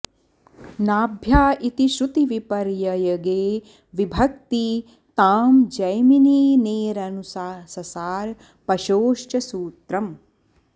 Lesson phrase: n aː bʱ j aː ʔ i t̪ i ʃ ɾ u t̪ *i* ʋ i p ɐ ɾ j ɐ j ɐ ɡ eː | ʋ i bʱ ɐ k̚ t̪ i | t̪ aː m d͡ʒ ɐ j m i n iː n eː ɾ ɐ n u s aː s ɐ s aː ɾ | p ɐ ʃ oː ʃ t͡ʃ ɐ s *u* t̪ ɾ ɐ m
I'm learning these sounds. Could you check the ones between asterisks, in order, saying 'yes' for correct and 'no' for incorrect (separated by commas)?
yes, no